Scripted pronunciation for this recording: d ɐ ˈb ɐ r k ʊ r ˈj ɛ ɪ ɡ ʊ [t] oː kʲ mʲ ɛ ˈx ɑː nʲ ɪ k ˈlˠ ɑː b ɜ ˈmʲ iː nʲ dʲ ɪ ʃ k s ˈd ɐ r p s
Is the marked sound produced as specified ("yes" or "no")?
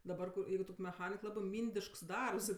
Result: yes